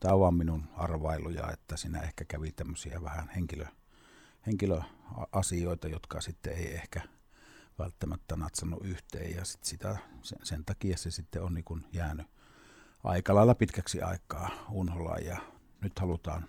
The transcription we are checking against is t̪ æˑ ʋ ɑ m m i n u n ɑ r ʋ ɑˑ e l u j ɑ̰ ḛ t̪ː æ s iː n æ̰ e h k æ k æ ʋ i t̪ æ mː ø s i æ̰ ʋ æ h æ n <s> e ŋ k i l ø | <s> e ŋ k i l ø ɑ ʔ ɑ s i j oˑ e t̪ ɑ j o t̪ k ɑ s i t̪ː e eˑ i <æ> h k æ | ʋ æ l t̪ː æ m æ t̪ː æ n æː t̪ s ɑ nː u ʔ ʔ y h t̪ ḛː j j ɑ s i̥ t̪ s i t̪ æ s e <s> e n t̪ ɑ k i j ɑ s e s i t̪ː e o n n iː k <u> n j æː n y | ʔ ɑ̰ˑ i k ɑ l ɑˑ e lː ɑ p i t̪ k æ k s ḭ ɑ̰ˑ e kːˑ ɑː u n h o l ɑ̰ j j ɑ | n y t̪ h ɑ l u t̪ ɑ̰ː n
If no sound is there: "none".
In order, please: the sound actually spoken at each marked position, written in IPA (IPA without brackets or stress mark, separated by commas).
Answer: h, h, e, s, u